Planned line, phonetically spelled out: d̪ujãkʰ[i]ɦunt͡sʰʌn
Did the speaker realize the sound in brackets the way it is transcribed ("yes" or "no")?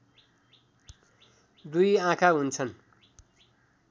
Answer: no